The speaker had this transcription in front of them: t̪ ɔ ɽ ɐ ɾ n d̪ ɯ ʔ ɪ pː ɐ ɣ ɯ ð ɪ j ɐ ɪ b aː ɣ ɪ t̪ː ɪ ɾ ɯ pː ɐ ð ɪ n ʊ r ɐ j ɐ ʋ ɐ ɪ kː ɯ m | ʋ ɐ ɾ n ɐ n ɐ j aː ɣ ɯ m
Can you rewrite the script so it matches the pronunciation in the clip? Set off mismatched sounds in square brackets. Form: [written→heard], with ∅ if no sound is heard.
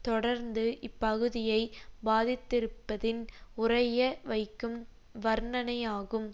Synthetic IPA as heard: t̪ ɔ ɽ ɐ ɾ n d̪ ɯ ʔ ɪ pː ɐ ɣ ɯ ð ɪ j ɐ ɪ b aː [ɣ→ð] ɪ t̪ː ɪ ɾ ɯ pː ɐ ð ɪ n ʊ r ɐ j ɐ ʋ ɐ ɪ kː ɯ m | ʋ ɐ ɾ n ɐ n ɐ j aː ɣ ɯ m